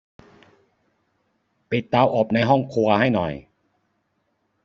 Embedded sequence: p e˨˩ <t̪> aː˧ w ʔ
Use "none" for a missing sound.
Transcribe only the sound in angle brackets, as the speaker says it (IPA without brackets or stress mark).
t̪